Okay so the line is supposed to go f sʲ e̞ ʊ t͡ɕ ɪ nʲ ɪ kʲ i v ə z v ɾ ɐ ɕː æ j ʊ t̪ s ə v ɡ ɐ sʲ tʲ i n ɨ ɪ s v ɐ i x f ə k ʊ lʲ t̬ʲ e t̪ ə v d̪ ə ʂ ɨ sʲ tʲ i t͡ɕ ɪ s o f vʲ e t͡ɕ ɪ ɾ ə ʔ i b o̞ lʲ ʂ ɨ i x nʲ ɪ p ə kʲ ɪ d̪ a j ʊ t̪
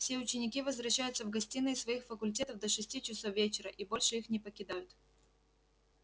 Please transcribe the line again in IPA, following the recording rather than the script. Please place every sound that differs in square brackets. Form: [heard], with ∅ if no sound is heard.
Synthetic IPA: f sʲ e̞ ʊ t͡ɕ ɪ nʲ ɪ kʲ i v ə z v ɾ ɐ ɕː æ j ʊ t̪ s ə v ɡ ɐ sʲ tʲ i n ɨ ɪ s v ɐ i x f ə k ʊ lʲ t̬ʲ e t̪ ə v d̪ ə ʂ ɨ sʲ tʲ i t͡ɕ ɪ s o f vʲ e t͡ɕ ɪ ɾ ə ʔ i b o̞ lʲ ʂ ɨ i x nʲ ɪ p ə kʲ ɪ d̪ a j ʊ t̪